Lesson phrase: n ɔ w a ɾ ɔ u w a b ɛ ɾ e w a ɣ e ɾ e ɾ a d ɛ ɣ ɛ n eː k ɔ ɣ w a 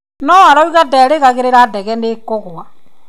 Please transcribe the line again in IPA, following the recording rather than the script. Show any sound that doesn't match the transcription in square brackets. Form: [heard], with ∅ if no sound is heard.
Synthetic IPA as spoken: n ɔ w a ɾ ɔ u [ɣ] a [d] ɛ ɾ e [ɣ] a ɣ e ɾ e ɾ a d ɛ ɣ ɛ n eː k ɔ ɣ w a